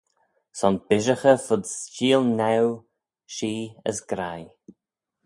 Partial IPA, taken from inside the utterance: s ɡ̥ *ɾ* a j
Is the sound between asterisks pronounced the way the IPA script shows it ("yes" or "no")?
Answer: yes